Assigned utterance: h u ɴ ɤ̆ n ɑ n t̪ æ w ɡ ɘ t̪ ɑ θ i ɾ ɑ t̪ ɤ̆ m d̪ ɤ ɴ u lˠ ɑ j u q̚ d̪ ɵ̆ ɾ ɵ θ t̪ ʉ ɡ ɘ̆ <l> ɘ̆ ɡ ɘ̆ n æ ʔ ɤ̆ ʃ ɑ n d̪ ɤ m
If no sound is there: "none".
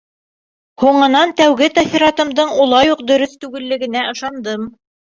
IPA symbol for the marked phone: lː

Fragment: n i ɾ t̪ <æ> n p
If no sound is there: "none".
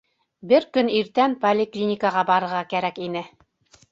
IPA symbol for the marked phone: æ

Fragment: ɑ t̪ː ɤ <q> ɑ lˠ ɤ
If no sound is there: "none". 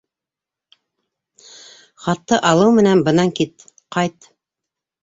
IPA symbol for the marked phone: ʔ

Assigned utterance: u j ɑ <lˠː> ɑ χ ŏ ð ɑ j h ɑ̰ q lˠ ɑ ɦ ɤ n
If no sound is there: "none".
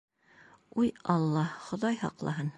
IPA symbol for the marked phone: lˠː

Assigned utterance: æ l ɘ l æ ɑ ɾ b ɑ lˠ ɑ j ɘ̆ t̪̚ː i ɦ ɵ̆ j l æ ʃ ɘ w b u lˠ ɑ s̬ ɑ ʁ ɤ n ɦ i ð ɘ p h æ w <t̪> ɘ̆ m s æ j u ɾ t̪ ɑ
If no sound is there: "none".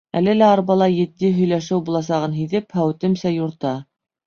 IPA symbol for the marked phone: t̪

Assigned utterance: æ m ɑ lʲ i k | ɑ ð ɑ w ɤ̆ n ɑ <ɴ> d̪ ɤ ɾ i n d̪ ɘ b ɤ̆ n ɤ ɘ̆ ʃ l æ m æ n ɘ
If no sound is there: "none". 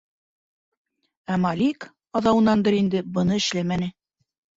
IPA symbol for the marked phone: n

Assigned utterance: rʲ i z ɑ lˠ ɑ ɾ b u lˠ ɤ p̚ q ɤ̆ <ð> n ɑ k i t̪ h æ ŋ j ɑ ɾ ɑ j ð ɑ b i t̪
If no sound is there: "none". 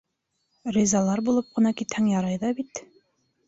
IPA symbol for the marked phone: none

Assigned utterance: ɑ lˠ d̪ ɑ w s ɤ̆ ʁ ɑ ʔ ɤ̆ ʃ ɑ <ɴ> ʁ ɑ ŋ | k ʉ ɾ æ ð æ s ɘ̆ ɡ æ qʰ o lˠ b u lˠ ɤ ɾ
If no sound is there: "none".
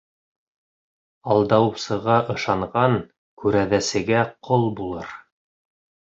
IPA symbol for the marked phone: ɴ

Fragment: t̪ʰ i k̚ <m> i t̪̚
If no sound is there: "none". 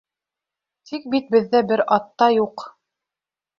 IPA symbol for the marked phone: b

